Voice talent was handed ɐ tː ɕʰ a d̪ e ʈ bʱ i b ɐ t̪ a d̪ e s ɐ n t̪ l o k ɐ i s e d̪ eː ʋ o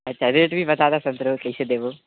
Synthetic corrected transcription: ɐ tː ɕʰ a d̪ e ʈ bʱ i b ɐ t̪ a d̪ a s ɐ n t̪ ɾ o k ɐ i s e d̪ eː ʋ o